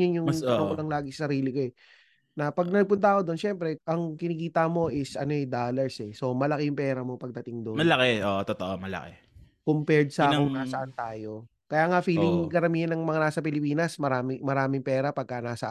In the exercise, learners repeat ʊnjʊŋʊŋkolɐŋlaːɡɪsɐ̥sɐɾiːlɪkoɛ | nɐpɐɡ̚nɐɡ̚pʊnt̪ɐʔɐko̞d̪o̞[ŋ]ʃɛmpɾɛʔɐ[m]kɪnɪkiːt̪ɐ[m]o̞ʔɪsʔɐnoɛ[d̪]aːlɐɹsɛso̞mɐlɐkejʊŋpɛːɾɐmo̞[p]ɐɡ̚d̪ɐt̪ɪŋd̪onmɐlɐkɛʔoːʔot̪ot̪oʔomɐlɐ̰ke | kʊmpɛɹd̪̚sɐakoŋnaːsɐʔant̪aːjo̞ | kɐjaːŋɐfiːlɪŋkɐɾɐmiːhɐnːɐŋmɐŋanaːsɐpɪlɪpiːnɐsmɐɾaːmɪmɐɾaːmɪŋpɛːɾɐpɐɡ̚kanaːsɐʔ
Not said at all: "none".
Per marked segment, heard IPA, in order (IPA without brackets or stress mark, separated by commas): n, ŋ, m, d̪, p